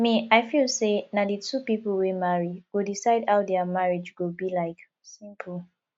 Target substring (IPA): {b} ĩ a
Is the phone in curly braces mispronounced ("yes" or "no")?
yes